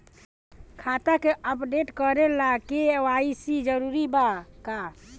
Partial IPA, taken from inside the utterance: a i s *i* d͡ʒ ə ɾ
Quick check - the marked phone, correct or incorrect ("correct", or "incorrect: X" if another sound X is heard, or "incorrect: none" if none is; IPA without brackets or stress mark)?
correct